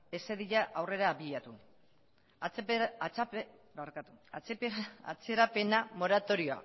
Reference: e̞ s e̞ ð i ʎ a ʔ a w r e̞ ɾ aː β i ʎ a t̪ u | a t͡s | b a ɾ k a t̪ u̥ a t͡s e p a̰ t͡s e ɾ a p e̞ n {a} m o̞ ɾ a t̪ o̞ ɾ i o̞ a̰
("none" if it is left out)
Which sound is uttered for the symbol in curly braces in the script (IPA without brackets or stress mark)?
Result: a